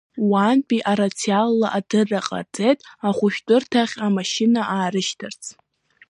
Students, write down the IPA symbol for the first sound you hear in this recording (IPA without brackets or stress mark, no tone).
w